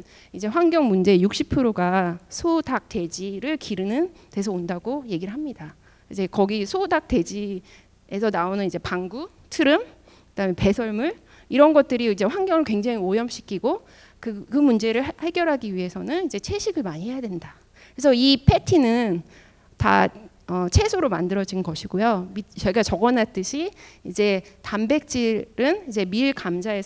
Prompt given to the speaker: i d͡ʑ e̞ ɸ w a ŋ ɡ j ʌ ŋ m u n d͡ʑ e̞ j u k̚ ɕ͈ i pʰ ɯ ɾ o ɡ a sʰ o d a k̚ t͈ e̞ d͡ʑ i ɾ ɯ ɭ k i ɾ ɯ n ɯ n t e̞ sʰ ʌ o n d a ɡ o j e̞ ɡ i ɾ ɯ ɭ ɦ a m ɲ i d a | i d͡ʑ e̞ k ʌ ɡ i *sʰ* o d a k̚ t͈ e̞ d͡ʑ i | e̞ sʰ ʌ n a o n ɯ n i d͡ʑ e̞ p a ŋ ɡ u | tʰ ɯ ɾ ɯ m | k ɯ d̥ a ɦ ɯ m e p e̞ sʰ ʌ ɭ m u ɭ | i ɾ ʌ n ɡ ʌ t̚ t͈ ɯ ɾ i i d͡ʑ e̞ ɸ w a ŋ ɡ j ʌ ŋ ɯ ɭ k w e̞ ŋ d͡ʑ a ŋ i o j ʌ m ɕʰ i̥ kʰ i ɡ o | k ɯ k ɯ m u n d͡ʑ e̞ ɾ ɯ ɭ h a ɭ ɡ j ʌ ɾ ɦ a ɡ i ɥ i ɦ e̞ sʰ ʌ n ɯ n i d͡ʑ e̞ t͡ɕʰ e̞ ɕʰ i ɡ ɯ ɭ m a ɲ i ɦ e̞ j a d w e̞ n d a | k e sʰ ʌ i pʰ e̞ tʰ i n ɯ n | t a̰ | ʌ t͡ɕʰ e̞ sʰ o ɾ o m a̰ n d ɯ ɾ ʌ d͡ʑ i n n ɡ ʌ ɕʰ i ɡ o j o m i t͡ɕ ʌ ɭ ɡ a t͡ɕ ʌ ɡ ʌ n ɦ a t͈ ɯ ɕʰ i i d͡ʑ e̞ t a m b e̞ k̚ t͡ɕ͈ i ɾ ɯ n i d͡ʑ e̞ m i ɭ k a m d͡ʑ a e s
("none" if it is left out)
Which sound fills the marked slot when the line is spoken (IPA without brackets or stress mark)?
sʰ